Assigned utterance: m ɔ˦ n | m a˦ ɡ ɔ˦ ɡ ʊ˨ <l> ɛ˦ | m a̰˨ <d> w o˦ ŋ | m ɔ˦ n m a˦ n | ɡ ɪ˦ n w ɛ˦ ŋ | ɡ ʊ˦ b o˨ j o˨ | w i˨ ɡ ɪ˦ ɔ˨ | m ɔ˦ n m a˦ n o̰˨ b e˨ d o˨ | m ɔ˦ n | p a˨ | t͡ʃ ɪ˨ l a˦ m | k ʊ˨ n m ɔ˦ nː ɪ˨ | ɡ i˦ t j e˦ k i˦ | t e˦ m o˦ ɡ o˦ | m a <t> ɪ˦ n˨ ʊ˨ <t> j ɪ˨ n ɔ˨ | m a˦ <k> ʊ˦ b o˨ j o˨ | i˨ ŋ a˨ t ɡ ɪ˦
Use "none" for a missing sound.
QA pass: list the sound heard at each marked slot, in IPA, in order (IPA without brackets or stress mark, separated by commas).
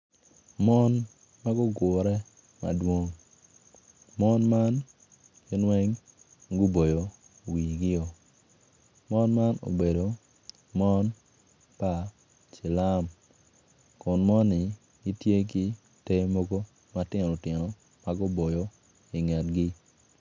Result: ɾ, d, t, t, ɡ